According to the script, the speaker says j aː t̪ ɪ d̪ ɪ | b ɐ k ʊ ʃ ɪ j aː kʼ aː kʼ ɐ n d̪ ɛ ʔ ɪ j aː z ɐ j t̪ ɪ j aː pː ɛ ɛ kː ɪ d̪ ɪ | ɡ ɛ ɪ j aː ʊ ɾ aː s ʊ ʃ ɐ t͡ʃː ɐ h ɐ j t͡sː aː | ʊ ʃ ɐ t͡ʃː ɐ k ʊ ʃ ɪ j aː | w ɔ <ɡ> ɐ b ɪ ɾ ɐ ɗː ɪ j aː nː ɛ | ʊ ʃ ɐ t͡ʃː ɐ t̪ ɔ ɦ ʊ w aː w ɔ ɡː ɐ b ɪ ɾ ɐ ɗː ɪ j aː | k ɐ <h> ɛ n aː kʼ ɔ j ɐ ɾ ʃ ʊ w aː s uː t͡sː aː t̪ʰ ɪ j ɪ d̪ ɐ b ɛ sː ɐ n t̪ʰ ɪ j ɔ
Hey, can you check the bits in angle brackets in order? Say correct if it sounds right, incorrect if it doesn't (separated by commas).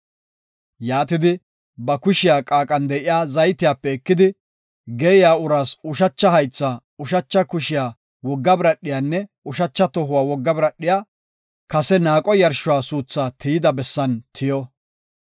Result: incorrect, incorrect